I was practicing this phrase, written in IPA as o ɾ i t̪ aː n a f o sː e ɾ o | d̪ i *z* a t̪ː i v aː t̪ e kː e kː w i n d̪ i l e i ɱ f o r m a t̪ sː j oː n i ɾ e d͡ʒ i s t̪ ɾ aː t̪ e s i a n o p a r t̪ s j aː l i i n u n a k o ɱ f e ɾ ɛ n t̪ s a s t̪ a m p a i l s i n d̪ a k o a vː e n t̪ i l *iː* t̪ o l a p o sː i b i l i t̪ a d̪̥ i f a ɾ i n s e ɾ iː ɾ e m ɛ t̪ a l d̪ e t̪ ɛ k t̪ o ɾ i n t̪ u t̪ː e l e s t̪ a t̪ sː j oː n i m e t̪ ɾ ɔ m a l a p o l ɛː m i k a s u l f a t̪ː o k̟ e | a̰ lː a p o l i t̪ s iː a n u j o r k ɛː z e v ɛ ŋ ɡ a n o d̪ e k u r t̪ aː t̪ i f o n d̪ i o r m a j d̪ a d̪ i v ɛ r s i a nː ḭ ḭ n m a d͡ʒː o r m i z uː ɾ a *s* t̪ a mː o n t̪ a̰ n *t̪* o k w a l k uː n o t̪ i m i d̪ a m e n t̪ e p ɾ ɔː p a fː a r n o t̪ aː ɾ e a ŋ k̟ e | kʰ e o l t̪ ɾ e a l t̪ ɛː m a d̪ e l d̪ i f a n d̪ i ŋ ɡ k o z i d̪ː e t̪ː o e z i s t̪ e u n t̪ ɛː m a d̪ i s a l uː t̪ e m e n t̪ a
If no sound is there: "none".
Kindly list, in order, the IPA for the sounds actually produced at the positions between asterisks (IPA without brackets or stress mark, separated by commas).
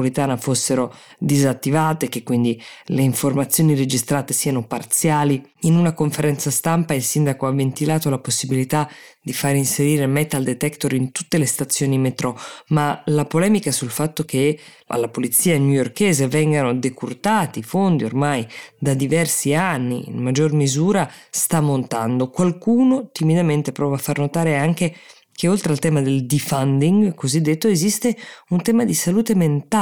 z, aː, s, d̪